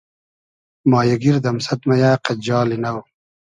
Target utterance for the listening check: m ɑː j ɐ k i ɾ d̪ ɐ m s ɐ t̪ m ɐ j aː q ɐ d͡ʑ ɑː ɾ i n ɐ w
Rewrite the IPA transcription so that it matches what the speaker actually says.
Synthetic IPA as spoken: m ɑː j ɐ ɡ i ɾ d̪ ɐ m s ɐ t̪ m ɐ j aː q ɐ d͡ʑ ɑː l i n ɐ w